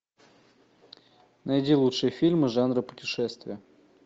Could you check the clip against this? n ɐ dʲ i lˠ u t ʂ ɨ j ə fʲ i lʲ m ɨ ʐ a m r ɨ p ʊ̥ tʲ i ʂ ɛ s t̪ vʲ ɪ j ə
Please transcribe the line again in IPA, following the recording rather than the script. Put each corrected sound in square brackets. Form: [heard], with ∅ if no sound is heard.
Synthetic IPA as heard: n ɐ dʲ i lˠ u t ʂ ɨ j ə fʲ i lʲ m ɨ ʐ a [n] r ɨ p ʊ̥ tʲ [ɪ] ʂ ɛ s t̪ vʲ ɪ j ə

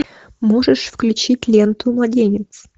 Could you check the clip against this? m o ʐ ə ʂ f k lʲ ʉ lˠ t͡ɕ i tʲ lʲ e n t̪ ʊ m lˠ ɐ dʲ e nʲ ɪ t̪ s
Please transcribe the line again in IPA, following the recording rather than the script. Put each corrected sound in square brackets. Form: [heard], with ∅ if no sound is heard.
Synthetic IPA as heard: m o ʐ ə ʂ f k lʲ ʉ [∅] t͡ɕ i tʲ lʲ e n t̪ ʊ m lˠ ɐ dʲ e nʲ ɪ t̪ s

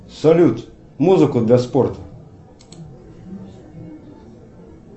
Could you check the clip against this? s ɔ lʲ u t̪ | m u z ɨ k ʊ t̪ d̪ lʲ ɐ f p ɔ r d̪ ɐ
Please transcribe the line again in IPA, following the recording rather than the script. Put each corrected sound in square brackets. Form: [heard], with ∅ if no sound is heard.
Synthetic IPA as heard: s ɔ lʲ u t̪ | m u z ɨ k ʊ [∅] d̪ lʲ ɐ [s] p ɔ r [t̪] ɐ

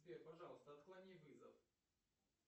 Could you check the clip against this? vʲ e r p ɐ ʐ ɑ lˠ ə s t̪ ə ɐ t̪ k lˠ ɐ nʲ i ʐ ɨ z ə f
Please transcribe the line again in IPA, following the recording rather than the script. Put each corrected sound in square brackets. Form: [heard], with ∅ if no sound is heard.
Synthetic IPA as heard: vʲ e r p ɐ ʐ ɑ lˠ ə s t̪ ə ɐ t̪ k lˠ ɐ nʲ i [v] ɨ z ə f

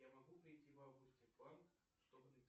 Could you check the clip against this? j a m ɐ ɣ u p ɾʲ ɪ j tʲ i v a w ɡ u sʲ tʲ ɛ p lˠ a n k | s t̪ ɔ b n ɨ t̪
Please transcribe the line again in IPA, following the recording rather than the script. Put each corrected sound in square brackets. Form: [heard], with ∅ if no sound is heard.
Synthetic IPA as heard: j a m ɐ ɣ u p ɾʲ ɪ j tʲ i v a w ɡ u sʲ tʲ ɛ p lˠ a n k | [ʂ] t̪ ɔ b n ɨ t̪

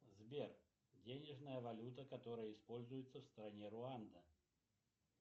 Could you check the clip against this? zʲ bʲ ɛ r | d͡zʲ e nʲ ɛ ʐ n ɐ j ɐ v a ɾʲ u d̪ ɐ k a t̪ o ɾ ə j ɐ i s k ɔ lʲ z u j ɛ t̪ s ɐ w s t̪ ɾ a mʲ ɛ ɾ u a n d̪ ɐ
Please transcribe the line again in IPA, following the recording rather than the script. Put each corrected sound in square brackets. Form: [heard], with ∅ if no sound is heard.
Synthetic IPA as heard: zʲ bʲ ɛ r | d͡zʲ e nʲ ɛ ʐ n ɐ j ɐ v a [lʲ] u [t̪] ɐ k a t̪ [ɔ] ɾ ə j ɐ i s [p] ɔ lʲ z u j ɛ t̪ [sː] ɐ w s t̪ ɾ a [nʲ] ɛ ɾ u a n d̪ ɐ

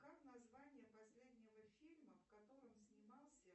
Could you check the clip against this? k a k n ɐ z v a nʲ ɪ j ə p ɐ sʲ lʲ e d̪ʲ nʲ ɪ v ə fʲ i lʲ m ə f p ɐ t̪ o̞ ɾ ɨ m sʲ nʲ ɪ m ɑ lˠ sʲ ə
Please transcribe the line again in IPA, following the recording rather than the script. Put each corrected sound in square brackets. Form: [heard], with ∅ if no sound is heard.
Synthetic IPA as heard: k a k n ɐ z v a nʲ ɪ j ə p ɐ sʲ lʲ e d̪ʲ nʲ ɪ v ə fʲ i lʲ m ə f [k] ɐ t̪ o̞ ɾ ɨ m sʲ nʲ ɪ m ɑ lˠ sʲ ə

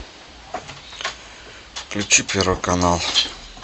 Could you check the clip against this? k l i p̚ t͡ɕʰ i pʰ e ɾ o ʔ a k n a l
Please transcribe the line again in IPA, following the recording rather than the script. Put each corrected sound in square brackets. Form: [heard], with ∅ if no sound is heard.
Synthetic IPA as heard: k l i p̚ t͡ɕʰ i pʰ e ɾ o [k] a [∅] n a l

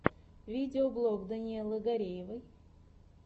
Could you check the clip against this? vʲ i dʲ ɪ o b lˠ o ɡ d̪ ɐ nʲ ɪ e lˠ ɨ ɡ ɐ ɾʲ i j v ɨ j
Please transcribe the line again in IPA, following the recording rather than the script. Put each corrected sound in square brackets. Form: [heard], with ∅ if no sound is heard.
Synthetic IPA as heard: vʲ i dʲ ɪ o b lˠ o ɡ d̪ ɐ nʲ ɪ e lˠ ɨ ɡ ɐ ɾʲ [e] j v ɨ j

